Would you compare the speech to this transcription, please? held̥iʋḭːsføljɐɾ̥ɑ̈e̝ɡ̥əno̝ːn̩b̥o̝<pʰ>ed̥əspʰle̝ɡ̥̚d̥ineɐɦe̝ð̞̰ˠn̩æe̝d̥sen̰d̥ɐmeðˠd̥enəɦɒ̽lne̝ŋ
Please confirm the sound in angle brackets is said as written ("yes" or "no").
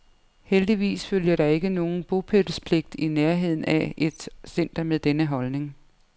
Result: yes